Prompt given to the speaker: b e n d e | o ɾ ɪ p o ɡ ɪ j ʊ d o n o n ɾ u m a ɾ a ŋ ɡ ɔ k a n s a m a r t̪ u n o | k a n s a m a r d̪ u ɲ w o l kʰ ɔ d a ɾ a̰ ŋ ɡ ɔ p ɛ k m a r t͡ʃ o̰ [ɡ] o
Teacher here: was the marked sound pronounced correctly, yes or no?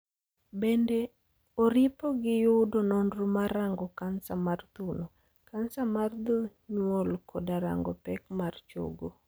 yes